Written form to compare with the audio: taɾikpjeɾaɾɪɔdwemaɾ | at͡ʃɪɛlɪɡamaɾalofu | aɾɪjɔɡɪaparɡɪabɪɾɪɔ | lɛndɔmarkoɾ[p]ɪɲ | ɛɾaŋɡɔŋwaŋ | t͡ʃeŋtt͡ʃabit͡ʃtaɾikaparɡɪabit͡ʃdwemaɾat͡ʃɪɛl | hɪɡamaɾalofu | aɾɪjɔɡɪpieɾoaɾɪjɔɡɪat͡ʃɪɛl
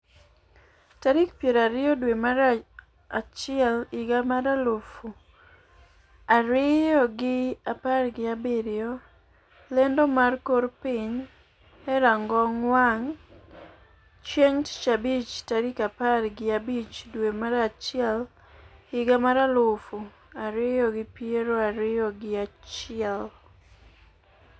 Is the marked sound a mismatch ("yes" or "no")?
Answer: no